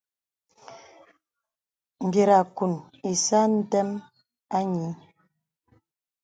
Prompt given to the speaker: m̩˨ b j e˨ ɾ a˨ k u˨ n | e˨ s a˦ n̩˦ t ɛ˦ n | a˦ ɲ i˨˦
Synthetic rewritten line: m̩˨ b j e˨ ɾ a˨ k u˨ n | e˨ s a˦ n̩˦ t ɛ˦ m | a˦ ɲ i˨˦